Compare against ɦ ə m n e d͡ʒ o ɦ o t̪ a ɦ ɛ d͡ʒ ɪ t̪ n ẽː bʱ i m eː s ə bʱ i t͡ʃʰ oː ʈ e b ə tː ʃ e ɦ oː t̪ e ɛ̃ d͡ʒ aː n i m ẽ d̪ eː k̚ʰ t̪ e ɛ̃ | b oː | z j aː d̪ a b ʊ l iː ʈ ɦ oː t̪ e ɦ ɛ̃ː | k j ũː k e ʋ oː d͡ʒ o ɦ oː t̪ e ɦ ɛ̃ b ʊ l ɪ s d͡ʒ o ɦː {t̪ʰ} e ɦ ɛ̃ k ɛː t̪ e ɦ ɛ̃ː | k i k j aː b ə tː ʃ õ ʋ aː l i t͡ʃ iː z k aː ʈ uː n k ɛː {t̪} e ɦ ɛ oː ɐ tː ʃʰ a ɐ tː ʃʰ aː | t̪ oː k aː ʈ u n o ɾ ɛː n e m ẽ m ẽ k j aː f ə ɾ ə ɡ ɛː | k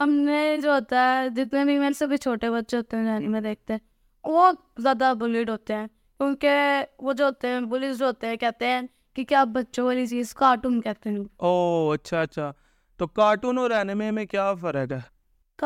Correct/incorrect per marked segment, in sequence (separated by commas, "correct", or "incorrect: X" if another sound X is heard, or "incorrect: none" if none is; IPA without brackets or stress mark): incorrect: t̪, correct